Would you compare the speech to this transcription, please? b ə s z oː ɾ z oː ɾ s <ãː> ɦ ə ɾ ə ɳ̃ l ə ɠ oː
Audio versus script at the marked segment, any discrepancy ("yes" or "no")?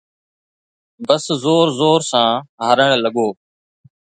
no